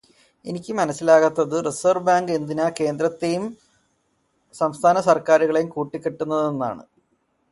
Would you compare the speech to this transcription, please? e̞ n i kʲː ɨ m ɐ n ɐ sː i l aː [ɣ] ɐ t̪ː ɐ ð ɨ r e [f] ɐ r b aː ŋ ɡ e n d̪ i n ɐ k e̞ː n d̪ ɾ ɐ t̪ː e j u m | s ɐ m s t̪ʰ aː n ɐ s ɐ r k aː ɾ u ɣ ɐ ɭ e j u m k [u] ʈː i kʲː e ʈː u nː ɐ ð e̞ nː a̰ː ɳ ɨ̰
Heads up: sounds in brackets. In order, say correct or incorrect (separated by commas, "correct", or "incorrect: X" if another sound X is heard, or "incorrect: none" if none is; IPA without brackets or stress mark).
correct, incorrect: s, incorrect: uː